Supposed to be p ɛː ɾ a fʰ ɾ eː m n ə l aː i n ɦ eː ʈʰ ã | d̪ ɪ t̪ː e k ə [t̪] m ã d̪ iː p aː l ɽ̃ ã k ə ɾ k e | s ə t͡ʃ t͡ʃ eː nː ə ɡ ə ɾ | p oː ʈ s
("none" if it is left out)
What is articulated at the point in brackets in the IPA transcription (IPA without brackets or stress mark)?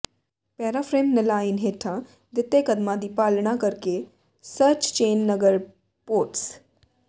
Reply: d̪